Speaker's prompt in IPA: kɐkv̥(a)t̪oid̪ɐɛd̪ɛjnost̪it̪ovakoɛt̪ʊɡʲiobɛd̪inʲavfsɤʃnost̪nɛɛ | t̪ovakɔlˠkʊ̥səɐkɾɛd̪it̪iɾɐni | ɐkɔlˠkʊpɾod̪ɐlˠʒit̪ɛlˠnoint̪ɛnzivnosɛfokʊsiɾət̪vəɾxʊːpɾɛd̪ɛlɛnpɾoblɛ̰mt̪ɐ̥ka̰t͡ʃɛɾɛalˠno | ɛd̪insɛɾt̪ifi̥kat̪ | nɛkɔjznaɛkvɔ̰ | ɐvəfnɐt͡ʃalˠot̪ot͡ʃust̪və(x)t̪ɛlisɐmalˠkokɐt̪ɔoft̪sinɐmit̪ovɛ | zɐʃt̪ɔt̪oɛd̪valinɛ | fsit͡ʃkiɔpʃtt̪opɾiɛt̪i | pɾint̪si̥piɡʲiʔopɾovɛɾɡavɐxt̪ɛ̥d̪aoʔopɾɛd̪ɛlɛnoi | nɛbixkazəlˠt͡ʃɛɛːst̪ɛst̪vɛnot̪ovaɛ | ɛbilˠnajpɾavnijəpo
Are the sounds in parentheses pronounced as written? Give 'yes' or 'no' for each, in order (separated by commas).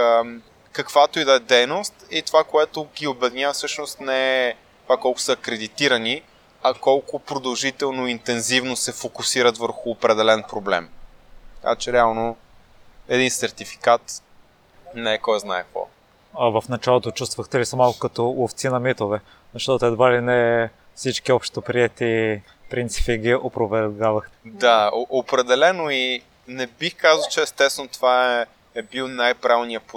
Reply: yes, yes